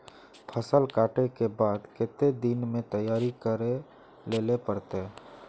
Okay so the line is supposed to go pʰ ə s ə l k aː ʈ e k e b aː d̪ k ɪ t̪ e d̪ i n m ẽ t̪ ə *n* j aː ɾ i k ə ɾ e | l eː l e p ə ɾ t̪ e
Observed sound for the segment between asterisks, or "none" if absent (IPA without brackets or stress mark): none